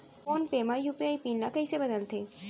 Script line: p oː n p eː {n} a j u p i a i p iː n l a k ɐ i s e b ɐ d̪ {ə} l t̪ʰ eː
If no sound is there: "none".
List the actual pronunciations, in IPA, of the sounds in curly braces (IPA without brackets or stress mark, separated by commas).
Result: m, ə